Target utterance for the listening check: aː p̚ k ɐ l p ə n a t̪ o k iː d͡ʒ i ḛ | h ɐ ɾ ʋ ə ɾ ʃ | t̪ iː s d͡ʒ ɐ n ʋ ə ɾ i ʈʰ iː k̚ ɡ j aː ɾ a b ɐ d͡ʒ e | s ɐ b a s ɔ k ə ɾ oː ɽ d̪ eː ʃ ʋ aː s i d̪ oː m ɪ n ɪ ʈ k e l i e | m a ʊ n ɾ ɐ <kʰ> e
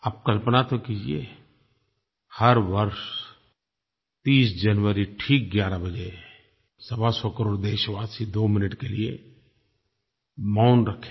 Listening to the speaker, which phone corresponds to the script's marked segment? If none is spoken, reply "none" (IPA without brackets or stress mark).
kʰ